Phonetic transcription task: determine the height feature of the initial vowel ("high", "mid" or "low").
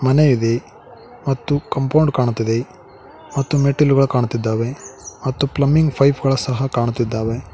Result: low